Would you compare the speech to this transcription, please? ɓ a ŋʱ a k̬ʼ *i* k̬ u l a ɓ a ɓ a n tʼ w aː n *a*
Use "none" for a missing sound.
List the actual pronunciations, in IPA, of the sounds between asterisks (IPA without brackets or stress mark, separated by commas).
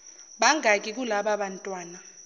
i, a